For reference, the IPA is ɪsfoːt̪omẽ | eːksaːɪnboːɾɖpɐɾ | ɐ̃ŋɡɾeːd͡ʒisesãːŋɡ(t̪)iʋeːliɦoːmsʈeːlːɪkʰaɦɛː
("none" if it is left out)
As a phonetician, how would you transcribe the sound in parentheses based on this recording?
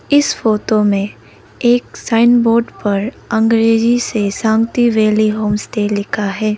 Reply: t̪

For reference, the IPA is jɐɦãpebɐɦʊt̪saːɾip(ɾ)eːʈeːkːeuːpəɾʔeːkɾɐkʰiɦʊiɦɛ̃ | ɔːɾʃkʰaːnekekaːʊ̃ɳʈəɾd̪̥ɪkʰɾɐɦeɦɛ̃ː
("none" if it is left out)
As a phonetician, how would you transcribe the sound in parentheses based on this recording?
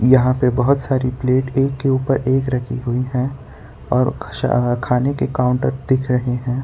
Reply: l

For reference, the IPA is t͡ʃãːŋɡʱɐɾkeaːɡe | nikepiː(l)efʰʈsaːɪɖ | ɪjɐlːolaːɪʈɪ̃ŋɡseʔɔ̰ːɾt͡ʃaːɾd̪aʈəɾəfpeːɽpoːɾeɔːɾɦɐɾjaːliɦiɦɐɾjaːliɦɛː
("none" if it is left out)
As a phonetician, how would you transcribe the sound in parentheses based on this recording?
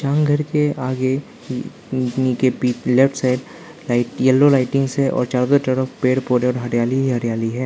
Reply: l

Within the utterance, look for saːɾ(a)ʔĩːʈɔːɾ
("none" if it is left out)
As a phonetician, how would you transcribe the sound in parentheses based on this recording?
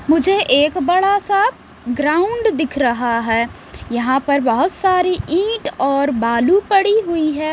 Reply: i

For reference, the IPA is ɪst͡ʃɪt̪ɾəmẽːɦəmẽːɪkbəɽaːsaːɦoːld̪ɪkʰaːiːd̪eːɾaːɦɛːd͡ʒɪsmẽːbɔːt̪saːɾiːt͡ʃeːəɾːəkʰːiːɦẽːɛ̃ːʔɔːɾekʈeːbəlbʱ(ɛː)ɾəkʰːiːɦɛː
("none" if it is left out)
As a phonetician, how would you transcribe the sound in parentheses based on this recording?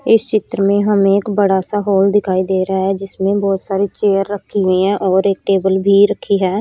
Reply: iː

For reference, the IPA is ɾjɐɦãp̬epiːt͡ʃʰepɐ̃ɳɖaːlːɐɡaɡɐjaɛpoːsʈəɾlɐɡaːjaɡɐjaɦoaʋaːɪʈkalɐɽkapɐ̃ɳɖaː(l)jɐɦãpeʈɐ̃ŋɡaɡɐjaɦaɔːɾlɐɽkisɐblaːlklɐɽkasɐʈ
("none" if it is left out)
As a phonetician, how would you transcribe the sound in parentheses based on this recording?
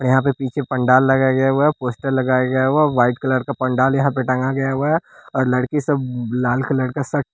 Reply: l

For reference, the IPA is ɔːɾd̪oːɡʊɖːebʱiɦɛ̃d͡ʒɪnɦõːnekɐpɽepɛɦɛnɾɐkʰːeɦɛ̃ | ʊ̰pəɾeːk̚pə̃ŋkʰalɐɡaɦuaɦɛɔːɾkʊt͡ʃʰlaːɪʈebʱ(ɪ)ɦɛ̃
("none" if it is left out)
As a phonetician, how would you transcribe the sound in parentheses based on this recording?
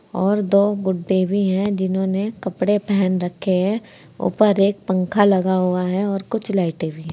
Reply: i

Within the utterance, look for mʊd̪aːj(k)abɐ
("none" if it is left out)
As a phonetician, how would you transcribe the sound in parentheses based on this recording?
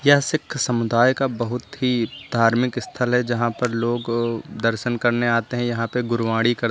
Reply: k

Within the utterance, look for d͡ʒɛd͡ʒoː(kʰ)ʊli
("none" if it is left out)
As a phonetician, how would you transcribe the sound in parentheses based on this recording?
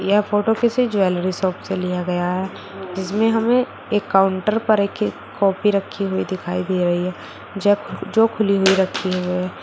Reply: kʰ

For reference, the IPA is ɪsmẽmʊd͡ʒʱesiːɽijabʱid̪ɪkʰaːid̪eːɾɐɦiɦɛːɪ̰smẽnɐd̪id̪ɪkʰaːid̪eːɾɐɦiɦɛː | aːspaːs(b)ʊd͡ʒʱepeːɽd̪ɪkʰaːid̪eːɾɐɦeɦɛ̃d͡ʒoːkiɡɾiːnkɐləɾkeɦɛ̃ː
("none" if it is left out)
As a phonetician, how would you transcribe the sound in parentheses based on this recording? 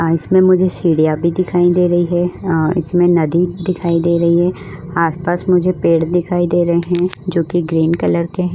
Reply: m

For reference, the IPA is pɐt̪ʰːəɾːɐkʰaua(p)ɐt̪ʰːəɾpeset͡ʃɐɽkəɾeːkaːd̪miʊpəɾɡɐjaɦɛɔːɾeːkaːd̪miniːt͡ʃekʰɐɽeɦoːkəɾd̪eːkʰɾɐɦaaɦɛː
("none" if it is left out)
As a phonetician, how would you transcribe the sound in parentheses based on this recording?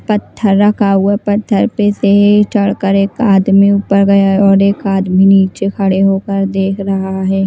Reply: p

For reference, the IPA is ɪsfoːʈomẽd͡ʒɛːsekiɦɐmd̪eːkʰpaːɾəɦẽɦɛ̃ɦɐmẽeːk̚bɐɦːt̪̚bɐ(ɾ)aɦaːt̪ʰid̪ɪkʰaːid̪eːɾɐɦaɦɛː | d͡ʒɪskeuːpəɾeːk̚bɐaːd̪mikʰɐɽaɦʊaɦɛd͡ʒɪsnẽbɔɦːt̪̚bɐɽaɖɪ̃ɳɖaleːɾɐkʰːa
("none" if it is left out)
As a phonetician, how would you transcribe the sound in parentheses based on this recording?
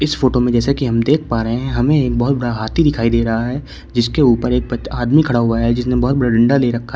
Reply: ɽ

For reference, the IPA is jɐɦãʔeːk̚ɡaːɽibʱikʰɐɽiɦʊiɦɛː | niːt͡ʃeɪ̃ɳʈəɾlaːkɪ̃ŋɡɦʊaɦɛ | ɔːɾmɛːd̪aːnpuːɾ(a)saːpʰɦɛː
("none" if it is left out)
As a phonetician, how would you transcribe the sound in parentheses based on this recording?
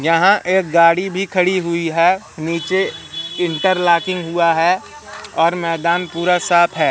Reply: a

